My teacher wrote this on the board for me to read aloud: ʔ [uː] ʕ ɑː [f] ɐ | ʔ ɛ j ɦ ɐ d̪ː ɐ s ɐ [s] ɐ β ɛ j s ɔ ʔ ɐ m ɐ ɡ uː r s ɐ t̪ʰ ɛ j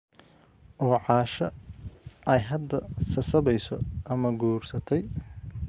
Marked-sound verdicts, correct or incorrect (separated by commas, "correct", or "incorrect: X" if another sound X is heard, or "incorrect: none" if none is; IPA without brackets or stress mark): incorrect: ɔː, incorrect: ʃ, correct